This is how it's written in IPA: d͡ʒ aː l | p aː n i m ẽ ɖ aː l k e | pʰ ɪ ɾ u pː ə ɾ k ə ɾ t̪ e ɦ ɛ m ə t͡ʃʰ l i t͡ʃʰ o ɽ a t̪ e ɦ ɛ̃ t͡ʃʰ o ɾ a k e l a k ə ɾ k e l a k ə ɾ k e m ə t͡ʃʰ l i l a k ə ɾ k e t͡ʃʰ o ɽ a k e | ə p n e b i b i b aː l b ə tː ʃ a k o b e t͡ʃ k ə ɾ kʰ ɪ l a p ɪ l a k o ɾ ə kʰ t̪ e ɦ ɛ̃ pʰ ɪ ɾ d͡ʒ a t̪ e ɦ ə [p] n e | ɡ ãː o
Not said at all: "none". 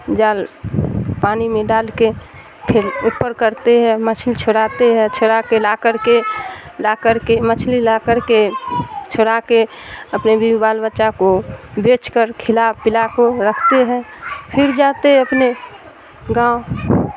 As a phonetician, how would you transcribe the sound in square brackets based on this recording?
p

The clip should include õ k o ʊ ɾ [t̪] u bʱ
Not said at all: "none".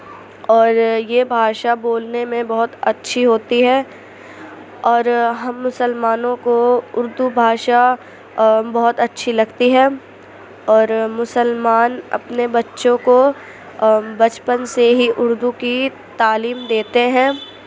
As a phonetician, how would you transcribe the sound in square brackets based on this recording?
d̪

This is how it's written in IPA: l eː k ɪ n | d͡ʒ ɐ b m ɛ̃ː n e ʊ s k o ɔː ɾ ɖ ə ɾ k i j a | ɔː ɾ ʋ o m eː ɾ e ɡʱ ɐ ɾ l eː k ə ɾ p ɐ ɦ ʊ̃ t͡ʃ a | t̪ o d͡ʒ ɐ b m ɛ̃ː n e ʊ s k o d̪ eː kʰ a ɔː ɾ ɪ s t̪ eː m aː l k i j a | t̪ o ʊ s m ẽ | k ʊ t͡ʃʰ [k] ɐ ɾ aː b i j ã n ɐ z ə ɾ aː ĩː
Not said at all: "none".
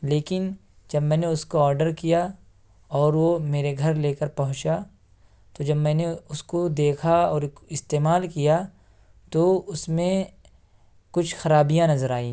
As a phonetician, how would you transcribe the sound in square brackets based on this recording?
x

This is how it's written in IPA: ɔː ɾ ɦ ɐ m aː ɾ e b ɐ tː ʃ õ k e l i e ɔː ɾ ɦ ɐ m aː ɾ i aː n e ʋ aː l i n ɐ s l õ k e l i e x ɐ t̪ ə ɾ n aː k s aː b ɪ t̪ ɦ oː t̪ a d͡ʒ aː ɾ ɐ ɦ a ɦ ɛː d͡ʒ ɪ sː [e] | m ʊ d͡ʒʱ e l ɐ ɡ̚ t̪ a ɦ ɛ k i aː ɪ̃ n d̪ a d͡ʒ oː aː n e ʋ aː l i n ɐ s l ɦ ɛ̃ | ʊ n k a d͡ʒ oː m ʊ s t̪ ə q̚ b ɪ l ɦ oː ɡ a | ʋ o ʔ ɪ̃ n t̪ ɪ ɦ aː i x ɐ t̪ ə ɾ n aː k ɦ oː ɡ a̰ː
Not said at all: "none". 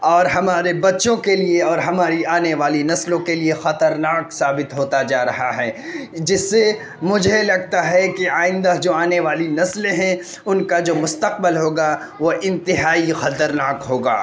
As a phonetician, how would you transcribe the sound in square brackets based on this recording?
e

